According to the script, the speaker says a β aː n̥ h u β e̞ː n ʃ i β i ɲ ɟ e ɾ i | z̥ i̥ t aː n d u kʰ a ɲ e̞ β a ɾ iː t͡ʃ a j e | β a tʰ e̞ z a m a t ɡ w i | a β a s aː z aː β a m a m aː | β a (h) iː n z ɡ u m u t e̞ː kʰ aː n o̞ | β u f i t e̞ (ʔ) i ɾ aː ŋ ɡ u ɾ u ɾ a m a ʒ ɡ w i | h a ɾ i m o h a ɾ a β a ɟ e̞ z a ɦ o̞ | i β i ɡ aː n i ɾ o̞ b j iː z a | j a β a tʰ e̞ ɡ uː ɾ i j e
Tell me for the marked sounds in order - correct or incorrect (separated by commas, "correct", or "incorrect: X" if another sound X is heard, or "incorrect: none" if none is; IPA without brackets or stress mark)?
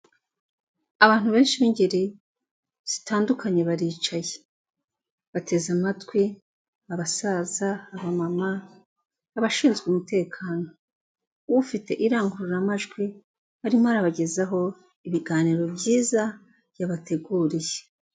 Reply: incorrect: ʃ, correct